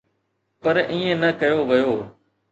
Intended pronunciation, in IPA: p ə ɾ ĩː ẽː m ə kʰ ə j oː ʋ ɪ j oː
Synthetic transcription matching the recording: p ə ɾ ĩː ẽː n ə k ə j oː ʋ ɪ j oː